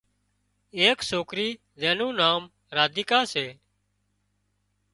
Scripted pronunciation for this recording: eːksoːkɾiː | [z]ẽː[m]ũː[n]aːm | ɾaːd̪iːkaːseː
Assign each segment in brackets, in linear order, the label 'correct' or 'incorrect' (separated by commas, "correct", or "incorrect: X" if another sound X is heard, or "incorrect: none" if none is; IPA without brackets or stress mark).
correct, incorrect: n, correct